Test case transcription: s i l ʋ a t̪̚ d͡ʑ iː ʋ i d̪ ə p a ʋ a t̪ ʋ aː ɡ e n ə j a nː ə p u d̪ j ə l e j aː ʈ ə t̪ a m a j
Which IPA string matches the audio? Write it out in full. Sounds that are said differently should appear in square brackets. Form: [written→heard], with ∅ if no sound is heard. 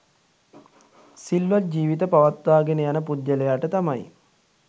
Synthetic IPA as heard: s i l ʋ a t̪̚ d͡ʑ iː ʋ i [d̪→t̪] ə p a ʋ a t̪ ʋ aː ɡ e n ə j a [nː→n] ə p u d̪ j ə l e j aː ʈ ə t̪ a m a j